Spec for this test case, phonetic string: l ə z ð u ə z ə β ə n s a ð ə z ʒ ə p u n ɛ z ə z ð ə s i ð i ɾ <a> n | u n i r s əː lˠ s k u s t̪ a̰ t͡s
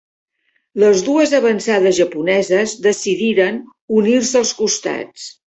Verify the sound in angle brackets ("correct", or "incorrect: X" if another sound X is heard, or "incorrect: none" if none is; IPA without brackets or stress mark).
incorrect: ə